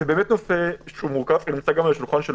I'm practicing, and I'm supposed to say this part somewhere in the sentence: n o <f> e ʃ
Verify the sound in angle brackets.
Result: correct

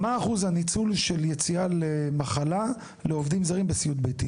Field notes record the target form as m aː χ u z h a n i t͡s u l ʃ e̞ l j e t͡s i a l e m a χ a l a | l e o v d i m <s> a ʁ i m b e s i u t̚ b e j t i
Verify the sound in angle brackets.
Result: incorrect: z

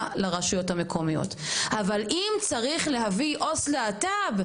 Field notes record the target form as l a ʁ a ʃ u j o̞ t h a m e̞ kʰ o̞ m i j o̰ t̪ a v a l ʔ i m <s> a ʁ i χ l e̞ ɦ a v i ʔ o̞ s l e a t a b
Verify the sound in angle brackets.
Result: incorrect: t͡s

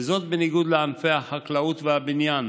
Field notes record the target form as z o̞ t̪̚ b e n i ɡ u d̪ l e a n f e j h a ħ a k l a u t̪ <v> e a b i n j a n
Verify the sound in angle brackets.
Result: correct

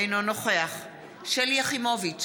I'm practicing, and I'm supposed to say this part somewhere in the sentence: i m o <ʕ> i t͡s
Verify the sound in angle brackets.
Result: incorrect: v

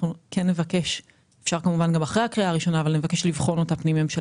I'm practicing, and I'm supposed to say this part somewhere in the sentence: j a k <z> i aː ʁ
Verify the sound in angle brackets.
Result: incorrect: ʁ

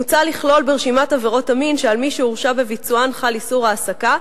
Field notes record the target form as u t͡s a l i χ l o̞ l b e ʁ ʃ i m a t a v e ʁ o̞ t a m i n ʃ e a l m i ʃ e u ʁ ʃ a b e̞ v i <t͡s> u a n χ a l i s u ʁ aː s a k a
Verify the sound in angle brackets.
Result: correct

